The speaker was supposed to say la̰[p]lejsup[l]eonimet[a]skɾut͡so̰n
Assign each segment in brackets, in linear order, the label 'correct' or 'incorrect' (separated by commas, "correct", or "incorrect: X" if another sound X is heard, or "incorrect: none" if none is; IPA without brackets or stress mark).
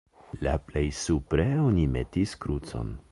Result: correct, incorrect: ɾ, incorrect: i